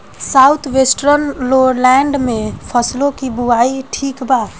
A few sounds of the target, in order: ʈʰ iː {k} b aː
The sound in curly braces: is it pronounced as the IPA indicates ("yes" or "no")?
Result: yes